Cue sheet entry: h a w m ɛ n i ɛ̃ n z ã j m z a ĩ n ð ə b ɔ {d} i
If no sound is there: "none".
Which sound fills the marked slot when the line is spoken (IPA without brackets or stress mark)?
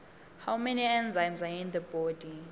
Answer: d